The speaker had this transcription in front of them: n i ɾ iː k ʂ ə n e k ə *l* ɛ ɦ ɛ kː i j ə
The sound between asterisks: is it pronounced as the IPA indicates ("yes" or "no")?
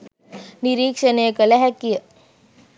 yes